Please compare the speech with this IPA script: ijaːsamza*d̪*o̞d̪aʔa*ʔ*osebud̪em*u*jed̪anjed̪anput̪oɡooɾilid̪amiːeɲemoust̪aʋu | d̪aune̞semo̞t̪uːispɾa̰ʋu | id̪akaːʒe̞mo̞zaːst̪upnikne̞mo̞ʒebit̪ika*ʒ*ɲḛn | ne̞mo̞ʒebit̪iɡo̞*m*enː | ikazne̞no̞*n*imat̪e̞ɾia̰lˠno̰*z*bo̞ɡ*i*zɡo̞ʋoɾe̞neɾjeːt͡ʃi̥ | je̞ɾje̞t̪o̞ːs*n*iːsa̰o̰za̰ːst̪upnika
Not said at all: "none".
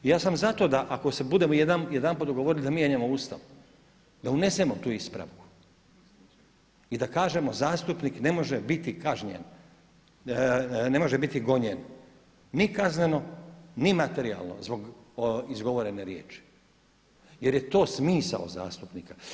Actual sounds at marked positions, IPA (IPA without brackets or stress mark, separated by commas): t̪, k, o, ʒ, ɲ, n, z, i, m